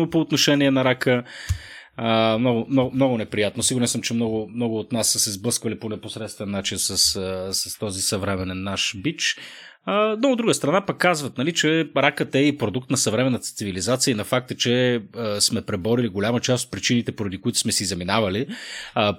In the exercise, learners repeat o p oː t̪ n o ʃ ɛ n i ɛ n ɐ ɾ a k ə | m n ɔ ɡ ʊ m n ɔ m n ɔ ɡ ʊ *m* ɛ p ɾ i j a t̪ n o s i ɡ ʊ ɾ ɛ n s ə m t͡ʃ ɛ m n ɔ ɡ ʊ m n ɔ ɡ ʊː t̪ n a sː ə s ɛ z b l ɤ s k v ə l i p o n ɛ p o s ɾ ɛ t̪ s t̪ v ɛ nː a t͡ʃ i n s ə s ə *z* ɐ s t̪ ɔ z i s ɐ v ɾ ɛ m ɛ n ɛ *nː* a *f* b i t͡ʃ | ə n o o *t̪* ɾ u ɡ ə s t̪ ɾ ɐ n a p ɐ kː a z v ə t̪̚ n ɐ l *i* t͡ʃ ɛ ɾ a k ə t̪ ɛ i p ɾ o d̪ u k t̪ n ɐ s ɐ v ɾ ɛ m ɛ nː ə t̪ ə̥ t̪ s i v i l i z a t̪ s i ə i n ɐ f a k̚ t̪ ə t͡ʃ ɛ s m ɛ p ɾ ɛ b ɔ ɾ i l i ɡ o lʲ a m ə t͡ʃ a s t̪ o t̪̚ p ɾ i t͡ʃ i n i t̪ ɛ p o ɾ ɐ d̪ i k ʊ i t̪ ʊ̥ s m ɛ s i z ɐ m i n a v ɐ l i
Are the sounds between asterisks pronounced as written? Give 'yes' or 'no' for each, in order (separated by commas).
no, no, yes, no, no, yes